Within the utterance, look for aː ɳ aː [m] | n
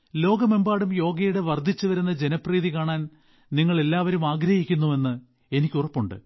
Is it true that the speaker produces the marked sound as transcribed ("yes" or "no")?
no